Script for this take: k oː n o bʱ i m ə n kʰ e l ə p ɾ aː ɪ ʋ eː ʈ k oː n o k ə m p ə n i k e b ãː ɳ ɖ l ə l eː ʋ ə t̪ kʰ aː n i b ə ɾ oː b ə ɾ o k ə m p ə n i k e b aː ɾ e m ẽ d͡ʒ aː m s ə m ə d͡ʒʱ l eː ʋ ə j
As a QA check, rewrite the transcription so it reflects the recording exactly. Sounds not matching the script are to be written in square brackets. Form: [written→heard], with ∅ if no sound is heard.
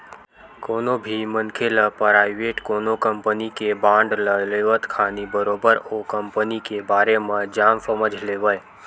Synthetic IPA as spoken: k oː n o bʱ i m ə n kʰ e l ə p ɾ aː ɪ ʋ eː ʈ k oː n o k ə m p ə n i k e b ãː ɳ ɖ l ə l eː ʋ ə t̪ kʰ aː n i b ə ɾ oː b ə ɾ o k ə m p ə n i k e b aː ɾ e m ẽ d͡ʒ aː m s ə m ə d͡ʒʱ l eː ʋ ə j